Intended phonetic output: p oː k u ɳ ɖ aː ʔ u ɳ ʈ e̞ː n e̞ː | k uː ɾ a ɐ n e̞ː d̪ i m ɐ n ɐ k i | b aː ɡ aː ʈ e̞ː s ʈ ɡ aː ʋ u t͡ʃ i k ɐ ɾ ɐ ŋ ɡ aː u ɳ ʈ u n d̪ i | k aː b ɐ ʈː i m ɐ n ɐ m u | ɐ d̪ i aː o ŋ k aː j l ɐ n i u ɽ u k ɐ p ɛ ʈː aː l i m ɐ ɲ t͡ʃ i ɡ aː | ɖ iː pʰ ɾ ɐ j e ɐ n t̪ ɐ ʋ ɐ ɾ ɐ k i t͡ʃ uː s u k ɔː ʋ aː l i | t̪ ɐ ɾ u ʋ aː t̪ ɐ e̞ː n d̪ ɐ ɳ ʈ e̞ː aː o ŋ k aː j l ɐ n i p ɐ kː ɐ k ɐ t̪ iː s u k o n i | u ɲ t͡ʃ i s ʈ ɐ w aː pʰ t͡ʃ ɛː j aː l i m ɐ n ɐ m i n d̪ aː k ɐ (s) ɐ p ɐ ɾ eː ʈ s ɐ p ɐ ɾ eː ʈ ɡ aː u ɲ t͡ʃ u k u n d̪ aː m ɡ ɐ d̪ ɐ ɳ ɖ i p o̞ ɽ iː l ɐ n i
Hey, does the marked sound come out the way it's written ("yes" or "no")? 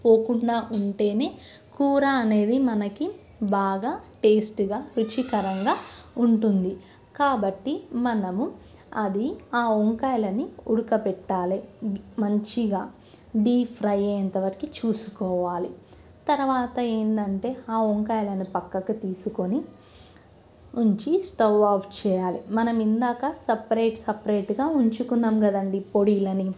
yes